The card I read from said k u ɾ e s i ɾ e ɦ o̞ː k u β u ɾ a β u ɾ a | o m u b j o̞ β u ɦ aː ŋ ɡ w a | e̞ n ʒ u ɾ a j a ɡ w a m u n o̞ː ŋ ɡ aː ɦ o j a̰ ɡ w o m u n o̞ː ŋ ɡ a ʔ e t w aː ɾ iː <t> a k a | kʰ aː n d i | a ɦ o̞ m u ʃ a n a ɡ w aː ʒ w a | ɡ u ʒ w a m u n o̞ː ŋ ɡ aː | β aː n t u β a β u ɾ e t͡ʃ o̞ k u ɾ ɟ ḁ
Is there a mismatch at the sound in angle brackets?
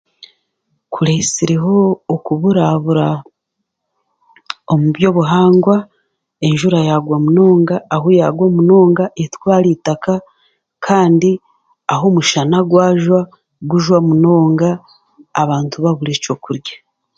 no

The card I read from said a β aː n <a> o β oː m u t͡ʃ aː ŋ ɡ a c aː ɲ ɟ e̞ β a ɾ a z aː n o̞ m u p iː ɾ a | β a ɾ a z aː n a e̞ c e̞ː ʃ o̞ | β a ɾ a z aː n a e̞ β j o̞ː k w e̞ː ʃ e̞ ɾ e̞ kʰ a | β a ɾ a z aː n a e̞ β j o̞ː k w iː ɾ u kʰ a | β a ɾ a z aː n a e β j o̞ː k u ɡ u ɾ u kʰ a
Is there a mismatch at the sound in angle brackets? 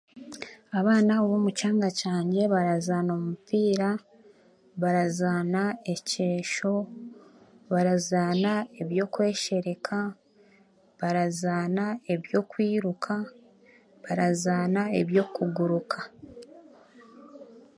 no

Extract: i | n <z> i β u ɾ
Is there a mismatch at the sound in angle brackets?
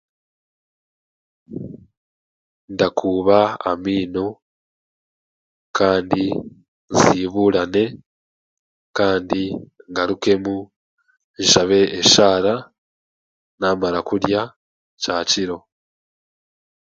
no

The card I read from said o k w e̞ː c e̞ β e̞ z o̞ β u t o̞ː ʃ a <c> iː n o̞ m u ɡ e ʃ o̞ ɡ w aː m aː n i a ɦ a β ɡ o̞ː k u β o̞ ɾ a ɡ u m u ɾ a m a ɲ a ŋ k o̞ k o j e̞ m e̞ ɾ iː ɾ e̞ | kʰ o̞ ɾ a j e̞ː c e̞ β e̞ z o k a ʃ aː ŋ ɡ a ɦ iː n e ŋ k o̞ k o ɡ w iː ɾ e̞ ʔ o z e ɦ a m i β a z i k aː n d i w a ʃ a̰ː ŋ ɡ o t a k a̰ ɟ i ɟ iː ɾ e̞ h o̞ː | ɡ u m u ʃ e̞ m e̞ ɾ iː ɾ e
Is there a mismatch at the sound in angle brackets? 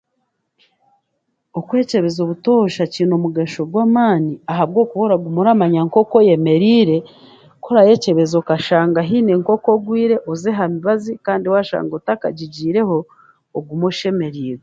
no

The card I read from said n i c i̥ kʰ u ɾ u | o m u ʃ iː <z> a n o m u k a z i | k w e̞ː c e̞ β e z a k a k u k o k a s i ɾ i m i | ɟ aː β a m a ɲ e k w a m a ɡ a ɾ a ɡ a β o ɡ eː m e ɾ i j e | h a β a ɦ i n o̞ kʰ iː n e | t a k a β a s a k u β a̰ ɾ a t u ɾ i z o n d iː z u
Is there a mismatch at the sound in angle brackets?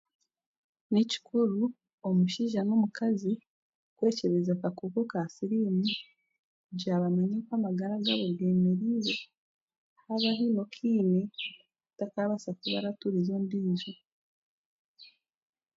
yes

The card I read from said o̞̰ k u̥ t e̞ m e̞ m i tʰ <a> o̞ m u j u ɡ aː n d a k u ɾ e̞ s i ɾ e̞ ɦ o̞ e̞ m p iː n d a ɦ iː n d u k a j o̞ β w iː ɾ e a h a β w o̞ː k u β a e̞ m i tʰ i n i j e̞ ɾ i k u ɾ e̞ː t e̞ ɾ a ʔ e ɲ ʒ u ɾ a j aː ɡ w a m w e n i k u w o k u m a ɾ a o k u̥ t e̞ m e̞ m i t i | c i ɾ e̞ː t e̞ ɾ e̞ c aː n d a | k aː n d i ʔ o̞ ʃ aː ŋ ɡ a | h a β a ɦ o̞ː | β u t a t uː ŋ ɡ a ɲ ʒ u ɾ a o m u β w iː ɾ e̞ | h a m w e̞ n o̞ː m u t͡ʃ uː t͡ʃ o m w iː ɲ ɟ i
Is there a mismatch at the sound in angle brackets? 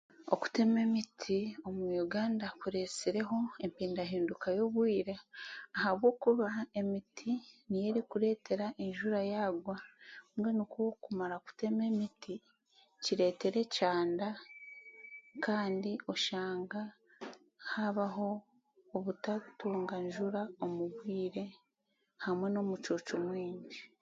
yes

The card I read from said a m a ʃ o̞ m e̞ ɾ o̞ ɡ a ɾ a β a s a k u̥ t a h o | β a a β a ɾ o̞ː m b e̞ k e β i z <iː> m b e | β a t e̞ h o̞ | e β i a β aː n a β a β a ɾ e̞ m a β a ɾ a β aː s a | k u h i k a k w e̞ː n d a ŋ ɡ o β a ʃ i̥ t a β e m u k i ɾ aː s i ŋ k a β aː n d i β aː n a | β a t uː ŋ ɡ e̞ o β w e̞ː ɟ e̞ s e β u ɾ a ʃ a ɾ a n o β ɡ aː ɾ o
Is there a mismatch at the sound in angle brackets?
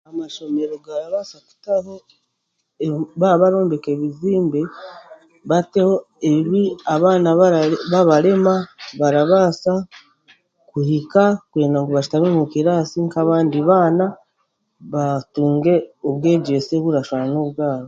no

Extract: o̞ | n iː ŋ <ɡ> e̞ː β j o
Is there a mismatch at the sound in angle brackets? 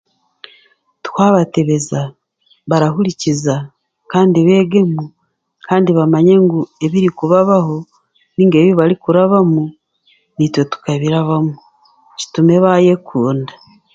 no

